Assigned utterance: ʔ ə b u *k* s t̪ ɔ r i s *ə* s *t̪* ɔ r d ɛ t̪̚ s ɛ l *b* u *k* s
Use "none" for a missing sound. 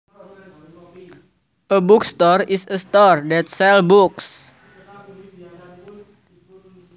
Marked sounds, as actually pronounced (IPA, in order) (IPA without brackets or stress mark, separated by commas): k, ə, t̪, b, k